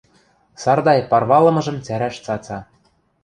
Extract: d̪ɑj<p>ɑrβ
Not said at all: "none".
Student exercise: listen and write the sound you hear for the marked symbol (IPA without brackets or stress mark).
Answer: p